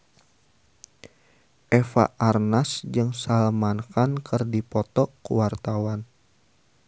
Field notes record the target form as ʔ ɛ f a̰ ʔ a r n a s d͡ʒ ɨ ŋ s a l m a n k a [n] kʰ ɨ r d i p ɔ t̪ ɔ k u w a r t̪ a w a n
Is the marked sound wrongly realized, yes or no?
no